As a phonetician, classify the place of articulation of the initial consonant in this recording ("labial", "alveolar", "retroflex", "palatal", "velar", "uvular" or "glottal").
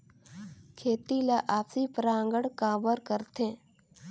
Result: velar